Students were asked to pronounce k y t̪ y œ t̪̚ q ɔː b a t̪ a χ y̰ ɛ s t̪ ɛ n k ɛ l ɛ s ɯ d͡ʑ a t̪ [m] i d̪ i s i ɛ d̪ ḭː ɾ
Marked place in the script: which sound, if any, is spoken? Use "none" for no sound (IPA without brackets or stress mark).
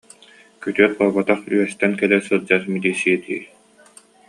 m